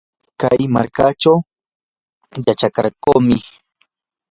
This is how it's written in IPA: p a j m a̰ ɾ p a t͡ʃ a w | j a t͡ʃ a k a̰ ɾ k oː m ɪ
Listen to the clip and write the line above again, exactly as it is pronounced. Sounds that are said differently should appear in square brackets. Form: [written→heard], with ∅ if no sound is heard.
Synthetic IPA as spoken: [p→k] a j m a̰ ɾ [p→k] a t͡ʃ a w | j a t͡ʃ a k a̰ ɾ k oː m ɪ